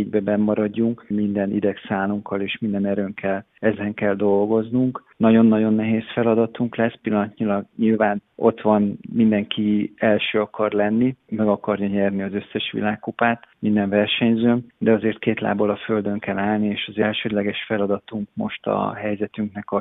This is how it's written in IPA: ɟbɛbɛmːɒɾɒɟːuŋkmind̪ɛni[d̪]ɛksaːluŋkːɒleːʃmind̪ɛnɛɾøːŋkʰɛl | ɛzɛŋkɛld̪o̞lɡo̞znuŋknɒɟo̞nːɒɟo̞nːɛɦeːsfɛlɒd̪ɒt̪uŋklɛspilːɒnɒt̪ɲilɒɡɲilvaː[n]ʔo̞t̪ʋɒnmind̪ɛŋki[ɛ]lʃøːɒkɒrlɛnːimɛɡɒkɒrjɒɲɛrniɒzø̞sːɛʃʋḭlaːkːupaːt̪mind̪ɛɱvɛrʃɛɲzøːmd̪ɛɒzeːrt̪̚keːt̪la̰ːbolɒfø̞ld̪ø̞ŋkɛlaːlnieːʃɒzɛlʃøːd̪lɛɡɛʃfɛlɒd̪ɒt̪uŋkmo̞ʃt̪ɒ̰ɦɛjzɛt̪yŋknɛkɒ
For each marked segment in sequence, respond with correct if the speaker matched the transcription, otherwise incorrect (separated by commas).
correct, correct, correct